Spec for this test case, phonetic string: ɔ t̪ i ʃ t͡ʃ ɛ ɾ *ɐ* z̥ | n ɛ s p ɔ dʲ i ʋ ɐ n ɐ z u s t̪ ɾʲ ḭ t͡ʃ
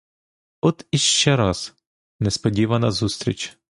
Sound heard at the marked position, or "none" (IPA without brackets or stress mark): ɑ